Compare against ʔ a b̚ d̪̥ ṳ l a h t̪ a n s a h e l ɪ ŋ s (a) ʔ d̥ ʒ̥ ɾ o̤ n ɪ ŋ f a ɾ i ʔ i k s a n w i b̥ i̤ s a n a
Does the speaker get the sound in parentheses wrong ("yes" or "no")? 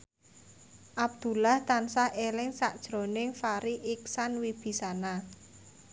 no